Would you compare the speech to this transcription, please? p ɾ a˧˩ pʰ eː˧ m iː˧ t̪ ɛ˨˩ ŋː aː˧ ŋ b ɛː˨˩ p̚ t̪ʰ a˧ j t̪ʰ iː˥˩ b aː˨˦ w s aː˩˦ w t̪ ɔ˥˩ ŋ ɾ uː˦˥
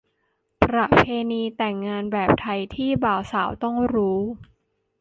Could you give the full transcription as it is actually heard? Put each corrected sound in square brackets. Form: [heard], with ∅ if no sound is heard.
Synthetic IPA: p ɾ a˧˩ pʰ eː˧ [n] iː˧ t̪ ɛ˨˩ ŋː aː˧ [n] b ɛː˨˩ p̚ t̪ʰ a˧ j t̪ʰ iː˥˩ b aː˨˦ w s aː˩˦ w t̪ ɔ˥˩ ŋ ɾ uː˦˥